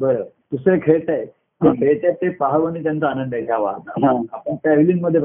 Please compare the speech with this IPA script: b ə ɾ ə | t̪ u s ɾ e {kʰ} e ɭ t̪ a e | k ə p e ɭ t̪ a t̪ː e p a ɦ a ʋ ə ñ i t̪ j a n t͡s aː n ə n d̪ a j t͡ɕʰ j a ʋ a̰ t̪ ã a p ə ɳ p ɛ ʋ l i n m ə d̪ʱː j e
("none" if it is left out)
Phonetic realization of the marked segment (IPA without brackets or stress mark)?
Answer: kʰ